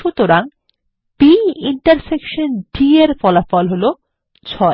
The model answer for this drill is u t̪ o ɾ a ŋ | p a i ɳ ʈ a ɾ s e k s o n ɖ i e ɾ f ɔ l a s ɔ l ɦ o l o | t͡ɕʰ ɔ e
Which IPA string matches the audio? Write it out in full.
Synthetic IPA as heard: u t̪ o ɾ a ŋ | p i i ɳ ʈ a ɾ s e k ʃ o n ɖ i e ɾ f ɔ l a f ɔ l ɦ o l o | t͡ɕʰ ɔ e